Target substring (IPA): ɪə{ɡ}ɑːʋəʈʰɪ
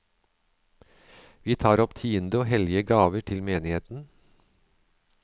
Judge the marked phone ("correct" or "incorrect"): correct